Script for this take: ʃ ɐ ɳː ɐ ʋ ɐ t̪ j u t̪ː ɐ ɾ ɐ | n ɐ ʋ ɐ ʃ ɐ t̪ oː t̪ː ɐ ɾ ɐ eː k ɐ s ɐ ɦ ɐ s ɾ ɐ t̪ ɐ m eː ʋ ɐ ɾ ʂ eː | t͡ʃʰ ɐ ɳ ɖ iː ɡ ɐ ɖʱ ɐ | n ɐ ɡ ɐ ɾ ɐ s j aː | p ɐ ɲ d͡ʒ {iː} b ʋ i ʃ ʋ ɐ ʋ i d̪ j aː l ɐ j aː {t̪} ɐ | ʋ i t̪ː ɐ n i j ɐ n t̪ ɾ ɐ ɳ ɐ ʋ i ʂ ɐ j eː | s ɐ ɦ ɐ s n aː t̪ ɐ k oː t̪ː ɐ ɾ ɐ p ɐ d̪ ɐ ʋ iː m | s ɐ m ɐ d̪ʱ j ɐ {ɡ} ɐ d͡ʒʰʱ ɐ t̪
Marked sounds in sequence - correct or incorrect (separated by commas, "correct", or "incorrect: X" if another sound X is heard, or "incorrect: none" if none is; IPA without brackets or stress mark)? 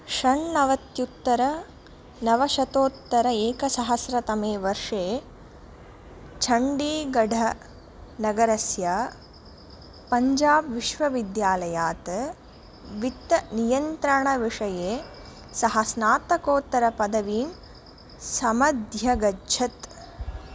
incorrect: aː, correct, correct